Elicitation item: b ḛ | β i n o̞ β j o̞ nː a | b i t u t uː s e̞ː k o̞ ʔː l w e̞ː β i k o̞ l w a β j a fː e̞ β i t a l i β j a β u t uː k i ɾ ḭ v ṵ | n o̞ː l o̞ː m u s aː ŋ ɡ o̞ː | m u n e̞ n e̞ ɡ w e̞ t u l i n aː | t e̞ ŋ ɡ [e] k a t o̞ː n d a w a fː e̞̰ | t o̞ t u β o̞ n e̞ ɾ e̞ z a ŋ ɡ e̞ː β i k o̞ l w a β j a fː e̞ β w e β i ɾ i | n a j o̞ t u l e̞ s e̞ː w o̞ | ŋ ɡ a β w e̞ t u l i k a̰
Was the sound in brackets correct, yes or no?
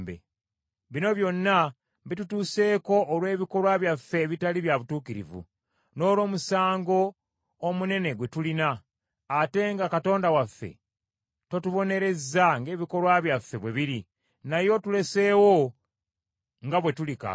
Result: no